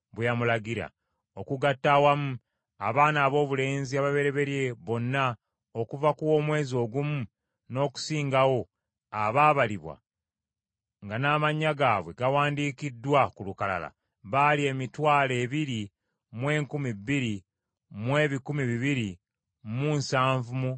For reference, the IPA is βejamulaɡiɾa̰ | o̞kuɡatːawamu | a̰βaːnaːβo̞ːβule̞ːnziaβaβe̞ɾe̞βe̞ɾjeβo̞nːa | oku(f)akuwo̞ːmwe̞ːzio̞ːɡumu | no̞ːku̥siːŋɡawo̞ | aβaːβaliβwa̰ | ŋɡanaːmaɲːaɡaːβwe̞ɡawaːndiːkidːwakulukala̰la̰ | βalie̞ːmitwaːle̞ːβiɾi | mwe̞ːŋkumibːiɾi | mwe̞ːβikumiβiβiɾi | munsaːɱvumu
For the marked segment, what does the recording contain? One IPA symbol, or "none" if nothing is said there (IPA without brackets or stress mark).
v